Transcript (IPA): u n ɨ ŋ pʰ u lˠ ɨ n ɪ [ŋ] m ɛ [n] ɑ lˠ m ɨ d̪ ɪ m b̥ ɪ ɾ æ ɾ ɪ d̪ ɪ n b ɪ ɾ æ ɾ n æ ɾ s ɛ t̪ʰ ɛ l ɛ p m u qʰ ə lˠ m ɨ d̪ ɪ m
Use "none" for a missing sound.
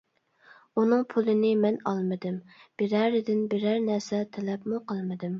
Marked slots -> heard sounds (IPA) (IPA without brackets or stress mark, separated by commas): none, n